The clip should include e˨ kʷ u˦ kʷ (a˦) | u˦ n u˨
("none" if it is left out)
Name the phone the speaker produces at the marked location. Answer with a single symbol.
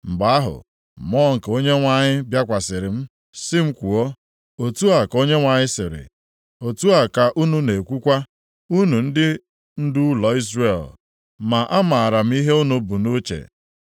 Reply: a˦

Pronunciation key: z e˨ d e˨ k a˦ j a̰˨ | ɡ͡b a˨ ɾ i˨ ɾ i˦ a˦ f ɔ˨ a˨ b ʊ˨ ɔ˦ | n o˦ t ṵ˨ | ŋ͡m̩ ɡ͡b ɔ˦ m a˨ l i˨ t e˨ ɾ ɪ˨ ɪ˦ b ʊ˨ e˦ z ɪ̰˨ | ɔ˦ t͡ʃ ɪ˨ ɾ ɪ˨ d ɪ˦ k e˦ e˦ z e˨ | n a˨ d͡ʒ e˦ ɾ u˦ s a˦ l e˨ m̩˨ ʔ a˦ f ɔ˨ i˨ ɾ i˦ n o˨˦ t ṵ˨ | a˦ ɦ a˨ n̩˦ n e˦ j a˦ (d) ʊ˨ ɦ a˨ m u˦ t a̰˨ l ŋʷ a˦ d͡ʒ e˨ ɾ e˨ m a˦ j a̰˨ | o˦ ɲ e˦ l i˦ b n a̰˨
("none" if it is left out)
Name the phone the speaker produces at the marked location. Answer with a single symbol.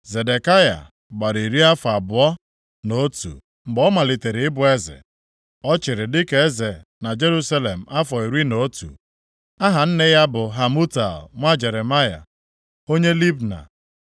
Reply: b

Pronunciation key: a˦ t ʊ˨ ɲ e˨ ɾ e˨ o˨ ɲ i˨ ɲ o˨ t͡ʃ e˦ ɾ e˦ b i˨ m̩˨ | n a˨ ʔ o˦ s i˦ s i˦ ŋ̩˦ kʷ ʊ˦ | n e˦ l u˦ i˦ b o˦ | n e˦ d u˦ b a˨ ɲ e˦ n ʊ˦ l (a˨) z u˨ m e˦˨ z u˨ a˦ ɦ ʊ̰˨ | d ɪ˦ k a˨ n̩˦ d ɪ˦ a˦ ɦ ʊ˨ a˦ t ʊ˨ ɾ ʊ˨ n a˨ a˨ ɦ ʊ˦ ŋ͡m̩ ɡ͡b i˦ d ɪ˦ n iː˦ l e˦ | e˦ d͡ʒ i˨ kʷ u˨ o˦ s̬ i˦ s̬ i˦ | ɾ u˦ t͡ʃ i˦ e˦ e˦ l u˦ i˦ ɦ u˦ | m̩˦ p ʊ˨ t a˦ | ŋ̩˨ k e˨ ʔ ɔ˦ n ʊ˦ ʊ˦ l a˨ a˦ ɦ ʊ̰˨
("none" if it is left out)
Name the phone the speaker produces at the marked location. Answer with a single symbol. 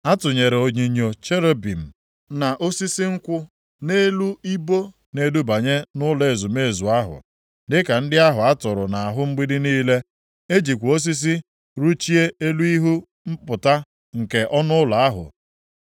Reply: e˨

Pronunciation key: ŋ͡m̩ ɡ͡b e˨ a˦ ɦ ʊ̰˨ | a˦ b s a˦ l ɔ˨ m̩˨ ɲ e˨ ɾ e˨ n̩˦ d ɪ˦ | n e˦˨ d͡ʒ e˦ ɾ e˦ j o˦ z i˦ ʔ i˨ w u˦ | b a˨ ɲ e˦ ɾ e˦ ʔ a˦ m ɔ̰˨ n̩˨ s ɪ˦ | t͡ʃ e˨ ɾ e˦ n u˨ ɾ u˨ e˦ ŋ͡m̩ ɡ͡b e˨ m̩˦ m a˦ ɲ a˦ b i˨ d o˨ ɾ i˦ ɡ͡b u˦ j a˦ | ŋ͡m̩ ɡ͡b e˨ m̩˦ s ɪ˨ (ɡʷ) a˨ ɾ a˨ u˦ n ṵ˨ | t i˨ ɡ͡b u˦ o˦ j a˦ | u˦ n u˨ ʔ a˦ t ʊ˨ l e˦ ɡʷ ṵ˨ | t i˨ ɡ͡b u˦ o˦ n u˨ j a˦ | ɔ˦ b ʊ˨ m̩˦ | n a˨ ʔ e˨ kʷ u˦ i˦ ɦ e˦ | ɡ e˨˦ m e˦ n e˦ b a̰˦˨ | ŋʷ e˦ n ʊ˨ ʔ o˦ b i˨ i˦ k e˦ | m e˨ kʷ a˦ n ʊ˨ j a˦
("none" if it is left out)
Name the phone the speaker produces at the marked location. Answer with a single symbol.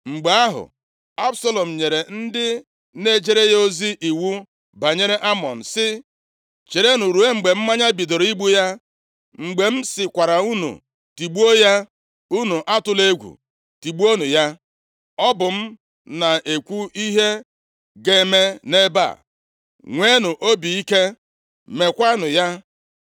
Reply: kʷ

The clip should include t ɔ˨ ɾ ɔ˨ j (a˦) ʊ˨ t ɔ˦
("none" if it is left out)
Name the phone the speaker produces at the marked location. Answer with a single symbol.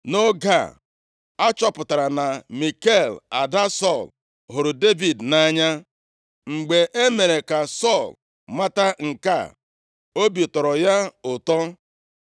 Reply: a˦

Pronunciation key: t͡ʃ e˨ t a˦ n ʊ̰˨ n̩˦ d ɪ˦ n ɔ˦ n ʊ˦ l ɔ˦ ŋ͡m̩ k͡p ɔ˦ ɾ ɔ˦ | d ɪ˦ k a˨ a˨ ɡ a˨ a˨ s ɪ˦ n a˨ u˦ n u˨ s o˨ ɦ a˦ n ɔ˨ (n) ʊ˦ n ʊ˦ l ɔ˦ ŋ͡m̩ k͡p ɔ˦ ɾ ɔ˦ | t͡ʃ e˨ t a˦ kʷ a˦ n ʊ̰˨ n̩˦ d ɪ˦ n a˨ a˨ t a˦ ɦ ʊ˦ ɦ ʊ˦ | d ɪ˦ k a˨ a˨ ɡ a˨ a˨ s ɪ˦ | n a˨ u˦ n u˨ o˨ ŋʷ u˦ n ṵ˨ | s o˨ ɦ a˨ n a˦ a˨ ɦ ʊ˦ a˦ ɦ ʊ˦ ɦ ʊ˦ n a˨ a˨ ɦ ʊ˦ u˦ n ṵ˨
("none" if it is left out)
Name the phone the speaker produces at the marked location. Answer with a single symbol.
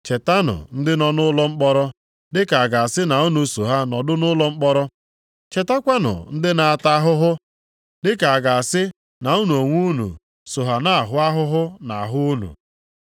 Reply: d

